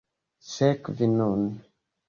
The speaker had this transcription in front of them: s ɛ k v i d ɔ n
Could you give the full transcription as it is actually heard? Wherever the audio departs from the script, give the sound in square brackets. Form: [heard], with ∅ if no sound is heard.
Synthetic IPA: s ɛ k v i [n] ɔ n